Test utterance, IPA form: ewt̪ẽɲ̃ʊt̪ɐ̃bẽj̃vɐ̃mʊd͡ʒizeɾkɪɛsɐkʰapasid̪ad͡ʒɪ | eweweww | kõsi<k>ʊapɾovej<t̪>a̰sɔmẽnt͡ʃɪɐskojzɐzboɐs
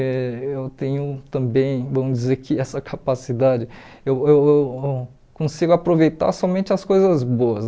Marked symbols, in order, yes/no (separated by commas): no, yes